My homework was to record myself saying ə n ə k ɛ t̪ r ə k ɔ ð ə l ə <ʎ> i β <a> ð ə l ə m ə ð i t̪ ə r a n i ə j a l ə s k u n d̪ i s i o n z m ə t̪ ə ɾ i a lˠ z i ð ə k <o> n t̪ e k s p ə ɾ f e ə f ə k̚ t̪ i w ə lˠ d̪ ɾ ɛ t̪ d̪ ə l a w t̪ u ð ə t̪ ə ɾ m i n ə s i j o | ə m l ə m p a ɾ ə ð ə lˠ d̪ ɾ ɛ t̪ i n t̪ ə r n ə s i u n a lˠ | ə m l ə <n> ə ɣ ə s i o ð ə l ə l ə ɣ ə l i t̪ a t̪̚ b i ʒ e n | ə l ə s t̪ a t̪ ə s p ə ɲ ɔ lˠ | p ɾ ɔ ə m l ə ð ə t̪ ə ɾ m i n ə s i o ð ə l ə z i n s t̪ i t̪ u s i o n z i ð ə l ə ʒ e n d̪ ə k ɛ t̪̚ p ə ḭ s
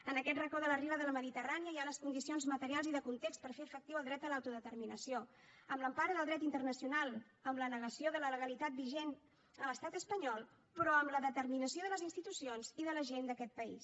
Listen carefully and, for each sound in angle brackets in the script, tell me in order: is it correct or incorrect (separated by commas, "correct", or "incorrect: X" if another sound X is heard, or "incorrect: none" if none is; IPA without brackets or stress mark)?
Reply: incorrect: r, incorrect: ə, incorrect: u, correct